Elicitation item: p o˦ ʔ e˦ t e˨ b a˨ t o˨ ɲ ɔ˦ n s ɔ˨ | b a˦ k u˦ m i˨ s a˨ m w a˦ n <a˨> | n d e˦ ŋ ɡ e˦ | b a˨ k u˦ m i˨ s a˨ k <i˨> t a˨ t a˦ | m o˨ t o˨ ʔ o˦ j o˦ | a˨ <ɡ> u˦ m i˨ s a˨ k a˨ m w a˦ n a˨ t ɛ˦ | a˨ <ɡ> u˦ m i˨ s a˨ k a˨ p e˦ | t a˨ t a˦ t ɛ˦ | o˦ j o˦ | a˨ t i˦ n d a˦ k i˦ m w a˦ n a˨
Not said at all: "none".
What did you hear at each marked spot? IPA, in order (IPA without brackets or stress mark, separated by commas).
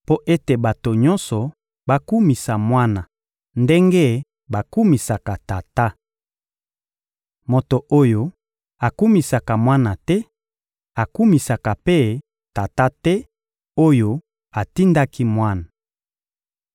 a˨, a˨, k, k